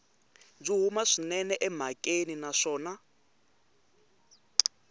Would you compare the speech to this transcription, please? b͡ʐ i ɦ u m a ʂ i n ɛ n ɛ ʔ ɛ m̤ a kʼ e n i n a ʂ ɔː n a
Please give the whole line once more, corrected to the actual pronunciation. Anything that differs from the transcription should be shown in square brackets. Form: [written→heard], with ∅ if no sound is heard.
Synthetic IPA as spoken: b͡ʐ i ɦ u m a ʂ i n ɛ n ɛ ʔ ɛ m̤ a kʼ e n i n a ʂ ɔː n a